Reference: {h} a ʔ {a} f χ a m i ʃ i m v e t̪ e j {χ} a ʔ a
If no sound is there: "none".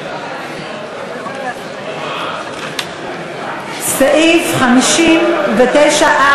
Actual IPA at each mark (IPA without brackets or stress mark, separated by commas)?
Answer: s, i, ʃ